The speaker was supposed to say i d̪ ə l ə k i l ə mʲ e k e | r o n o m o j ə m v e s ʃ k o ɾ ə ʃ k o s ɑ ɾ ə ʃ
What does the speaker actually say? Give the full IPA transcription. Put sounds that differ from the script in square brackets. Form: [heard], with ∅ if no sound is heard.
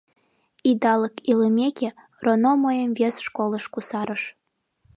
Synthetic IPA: i d̪ [ɑ] l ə k i l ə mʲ e k e | r o n o m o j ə m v e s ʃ k o [l] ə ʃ k [u] s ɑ ɾ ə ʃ